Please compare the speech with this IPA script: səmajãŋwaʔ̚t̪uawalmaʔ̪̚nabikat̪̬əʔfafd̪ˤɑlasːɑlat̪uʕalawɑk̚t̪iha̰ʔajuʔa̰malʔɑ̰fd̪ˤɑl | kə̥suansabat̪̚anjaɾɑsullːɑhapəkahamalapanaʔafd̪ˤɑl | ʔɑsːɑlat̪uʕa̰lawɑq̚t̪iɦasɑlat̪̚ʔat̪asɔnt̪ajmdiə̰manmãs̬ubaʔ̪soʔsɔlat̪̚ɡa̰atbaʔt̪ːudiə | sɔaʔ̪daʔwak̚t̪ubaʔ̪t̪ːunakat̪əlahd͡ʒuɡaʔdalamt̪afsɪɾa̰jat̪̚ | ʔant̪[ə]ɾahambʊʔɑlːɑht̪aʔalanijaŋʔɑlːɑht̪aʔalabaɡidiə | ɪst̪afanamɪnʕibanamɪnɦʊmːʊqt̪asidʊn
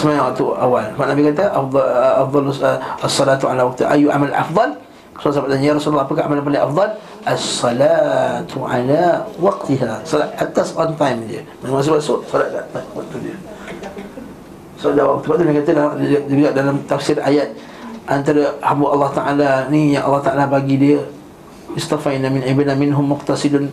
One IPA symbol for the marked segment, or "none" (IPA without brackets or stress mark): a